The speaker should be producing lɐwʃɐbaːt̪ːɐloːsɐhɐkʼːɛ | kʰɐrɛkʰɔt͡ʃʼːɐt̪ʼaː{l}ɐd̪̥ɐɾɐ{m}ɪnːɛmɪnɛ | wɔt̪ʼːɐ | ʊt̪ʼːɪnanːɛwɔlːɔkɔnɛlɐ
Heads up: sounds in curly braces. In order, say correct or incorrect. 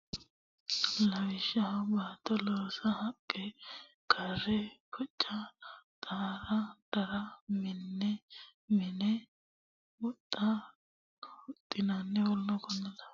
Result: incorrect: ɾ, correct

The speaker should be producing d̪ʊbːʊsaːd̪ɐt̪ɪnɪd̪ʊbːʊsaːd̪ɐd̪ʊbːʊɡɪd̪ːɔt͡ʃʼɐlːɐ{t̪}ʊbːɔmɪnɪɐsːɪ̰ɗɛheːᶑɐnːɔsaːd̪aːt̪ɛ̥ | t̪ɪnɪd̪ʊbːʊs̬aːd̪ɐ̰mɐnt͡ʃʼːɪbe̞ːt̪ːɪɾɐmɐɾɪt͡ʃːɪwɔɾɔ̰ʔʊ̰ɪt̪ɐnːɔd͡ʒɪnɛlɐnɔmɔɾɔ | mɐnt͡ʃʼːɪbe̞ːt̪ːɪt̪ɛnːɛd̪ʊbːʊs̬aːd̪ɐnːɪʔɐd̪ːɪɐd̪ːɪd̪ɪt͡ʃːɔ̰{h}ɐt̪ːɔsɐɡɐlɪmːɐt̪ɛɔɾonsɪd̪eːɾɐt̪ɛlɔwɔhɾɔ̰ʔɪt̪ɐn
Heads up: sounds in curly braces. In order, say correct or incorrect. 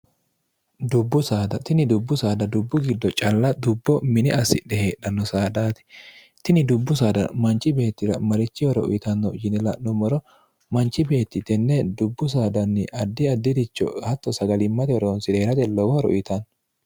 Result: incorrect: d̪, correct

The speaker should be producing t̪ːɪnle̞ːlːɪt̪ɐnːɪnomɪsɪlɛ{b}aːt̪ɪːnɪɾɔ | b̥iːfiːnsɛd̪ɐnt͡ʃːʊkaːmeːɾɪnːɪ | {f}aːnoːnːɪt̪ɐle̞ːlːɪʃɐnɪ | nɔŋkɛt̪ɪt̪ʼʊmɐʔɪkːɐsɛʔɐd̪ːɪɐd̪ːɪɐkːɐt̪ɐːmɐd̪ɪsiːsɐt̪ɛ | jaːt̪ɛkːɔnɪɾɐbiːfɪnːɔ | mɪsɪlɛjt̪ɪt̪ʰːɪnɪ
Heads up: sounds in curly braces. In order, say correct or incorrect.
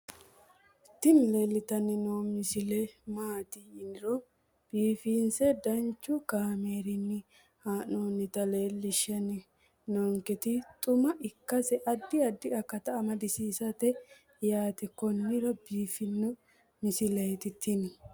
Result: incorrect: m, incorrect: h

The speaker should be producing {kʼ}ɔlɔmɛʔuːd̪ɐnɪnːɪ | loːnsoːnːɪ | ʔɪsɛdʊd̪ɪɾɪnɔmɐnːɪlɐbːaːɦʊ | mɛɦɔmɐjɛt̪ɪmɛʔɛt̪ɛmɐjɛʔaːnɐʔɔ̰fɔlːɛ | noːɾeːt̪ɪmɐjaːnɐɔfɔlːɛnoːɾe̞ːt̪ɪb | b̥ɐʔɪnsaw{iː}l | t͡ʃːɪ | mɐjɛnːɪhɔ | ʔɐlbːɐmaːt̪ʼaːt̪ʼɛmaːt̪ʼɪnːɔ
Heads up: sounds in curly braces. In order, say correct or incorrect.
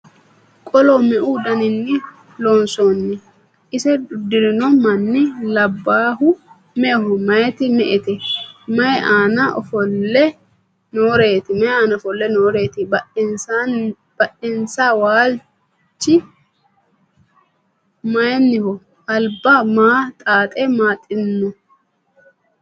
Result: correct, incorrect: aː

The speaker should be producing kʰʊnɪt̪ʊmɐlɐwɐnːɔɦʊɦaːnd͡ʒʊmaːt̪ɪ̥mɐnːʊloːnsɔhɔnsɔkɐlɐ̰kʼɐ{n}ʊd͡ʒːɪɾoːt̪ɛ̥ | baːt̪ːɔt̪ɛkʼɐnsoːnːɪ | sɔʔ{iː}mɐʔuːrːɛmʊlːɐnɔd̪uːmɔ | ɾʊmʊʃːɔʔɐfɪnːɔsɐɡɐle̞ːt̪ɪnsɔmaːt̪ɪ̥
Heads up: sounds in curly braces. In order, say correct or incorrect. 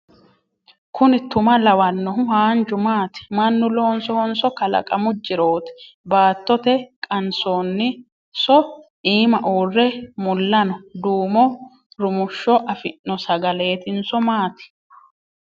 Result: incorrect: m, correct

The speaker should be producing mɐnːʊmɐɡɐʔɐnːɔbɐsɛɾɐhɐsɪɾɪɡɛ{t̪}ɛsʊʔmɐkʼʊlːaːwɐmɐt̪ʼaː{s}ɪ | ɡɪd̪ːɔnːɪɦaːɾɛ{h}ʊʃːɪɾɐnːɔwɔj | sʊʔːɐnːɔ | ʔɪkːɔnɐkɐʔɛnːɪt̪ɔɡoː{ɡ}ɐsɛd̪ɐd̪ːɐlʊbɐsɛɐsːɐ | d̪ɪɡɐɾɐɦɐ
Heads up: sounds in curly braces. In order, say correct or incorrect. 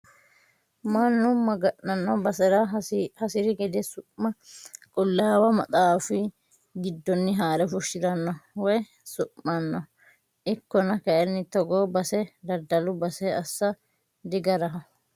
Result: incorrect: d̪, incorrect: f, incorrect: f, incorrect: b

